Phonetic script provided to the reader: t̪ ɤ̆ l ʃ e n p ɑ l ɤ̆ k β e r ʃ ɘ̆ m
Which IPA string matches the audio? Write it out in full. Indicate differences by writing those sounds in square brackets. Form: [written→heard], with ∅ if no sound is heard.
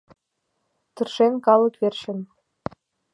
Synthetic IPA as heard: t̪ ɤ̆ [l→r] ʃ e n [p→k] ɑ l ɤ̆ k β e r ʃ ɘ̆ [m→n]